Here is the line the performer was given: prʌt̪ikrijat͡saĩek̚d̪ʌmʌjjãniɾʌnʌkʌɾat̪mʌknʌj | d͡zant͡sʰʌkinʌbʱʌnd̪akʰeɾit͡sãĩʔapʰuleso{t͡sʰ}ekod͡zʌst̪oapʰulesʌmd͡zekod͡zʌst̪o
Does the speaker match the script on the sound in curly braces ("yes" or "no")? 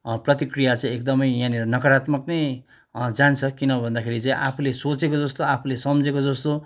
no